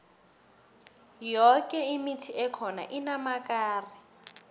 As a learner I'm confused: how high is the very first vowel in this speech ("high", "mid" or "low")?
mid